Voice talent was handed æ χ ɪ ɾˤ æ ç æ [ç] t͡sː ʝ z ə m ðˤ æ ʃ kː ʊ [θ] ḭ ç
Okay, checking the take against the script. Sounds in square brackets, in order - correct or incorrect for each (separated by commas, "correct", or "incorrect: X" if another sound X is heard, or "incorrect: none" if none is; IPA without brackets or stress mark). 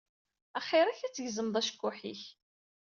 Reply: incorrect: none, incorrect: ħ